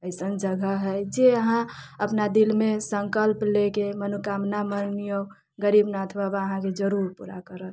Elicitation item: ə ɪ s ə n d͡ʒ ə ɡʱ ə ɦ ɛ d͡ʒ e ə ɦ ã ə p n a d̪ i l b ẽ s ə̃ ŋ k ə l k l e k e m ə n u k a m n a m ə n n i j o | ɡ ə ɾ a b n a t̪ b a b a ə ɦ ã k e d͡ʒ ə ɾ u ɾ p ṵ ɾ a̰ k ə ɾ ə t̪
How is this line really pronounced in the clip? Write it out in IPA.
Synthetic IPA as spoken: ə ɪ s ə n d͡ʒ ə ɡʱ ə ɦ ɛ d͡ʒ e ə ɦ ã ə p n a d̪ i l m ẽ s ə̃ ŋ k ə l p l e k e m ə n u k a m n a m ə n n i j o | ɡ ə ɾ i b n a t̪ʰ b a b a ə ɦ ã k e d͡ʒ ə ɾ u ɾ p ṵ ɾ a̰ k ə ɾ ə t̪